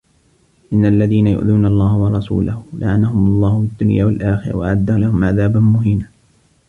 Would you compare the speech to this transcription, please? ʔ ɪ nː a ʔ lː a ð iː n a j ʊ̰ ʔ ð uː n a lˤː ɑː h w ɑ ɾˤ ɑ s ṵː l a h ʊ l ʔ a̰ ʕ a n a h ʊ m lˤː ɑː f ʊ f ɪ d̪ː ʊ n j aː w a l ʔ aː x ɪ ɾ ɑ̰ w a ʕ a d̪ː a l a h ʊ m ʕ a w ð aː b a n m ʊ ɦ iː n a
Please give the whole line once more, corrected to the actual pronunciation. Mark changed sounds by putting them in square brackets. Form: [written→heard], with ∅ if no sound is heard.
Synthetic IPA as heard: ʔ ɪ nː a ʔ lː a ð iː n a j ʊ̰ ʔ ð uː n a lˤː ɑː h w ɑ ɾˤ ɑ s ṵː l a h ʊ l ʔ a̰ ʕ a n a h ʊ m lˤː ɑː [f→h] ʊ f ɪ d̪ː ʊ n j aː w a l ʔ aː x ɪ ɾ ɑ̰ w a ʕ a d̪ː a l a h ʊ m ʕ a [w→∅] ð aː b a n m ʊ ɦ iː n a